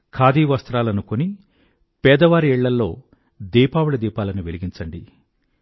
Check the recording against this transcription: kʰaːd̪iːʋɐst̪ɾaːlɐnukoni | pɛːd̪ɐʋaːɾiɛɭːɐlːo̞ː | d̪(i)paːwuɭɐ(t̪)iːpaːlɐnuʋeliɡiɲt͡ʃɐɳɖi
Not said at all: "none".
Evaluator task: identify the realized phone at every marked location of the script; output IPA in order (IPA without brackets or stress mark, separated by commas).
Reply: iː, d̪